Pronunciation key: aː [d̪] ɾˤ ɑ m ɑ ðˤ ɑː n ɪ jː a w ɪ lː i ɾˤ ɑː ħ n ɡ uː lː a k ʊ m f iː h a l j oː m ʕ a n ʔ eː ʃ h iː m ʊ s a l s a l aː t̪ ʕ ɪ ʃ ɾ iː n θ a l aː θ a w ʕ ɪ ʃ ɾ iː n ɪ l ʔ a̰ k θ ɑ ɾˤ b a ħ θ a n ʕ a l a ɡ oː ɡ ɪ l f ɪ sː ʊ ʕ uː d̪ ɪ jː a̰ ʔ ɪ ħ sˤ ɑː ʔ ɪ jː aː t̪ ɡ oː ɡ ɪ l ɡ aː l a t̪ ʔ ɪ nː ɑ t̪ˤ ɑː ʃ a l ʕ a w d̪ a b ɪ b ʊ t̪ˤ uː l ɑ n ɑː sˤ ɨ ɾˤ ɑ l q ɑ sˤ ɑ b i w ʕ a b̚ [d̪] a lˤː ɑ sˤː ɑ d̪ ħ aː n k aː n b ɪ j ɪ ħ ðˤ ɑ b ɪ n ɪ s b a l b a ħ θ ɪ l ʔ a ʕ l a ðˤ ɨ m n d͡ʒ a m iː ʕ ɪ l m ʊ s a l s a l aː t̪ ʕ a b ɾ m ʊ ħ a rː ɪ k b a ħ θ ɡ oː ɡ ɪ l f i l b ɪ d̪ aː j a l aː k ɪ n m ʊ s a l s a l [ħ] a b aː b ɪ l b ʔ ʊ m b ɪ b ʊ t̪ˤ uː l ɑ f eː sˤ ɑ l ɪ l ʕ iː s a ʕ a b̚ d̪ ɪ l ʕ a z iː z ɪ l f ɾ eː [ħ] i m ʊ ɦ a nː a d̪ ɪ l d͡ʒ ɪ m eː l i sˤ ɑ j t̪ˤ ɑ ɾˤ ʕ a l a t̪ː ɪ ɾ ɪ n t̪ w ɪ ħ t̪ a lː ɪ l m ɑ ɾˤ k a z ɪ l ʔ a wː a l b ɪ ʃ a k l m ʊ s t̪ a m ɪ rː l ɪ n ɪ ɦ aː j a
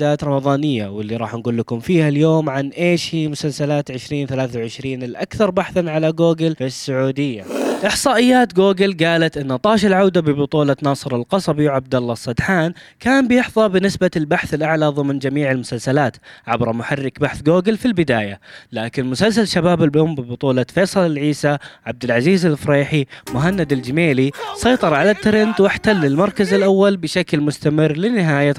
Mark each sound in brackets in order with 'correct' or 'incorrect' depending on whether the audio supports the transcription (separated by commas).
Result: incorrect, correct, incorrect, correct